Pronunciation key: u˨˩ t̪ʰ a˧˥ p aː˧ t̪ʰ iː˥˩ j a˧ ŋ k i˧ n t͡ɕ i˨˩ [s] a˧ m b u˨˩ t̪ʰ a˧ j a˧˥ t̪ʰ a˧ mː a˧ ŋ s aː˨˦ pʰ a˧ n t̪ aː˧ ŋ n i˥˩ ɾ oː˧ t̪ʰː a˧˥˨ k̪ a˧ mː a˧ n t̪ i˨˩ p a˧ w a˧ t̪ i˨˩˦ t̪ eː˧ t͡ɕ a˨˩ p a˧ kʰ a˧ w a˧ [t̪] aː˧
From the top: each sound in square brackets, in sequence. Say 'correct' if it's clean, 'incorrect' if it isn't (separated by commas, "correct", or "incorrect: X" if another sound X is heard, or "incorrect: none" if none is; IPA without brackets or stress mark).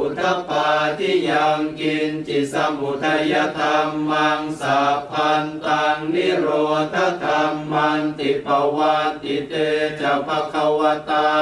correct, correct